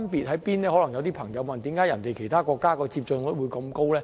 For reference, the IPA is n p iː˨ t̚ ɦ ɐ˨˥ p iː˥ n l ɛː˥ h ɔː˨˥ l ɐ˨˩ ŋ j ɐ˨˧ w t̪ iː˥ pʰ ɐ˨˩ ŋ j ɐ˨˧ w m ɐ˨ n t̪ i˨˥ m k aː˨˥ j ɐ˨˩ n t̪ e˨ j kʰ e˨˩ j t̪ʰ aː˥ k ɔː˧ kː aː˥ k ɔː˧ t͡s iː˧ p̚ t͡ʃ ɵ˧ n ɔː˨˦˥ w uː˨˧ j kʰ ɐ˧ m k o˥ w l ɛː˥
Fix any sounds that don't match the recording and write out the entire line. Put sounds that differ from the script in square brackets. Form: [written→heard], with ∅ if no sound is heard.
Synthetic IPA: n p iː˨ t̚ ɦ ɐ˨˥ p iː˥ n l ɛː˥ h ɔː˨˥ l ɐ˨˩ ŋ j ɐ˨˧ w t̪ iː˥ pʰ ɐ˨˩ ŋ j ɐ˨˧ w m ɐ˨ n t̪ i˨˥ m k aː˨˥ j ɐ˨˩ n t̪ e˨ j kʰ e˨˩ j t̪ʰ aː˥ k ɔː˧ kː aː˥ k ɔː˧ t͡s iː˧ p̚ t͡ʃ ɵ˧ n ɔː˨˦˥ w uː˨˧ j [kʰ→k] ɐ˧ m k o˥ w l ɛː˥